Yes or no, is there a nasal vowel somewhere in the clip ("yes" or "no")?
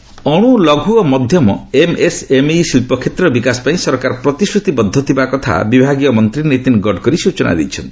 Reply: yes